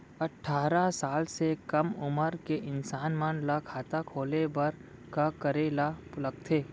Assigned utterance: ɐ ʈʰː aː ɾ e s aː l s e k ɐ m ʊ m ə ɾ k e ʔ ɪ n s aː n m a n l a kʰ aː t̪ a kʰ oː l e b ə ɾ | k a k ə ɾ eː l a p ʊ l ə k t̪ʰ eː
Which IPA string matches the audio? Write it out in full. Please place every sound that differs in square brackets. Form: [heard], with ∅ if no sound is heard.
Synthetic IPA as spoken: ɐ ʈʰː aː ɾ [a] s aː l s e k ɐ m ʊ m ə ɾ k e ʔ ɪ n s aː n m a n l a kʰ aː t̪ a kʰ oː l e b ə ɾ | k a k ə ɾ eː l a p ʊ l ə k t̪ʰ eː